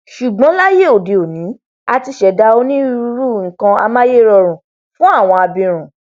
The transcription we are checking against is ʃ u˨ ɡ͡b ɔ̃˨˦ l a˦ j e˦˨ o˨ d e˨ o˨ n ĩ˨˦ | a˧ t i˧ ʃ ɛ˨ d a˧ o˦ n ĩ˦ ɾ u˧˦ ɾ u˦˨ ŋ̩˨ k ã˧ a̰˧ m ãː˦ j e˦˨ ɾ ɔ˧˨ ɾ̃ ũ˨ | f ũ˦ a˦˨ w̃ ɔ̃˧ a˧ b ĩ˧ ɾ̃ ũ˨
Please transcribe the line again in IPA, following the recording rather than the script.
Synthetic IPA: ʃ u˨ ɡ͡b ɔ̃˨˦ l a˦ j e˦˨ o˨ d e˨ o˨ n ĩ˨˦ | a˧ t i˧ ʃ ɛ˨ d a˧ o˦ n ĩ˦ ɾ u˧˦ ɾ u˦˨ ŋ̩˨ k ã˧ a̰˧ m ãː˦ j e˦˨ ɾ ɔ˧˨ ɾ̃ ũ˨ | f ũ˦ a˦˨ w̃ ɔ̃˧ a˧ b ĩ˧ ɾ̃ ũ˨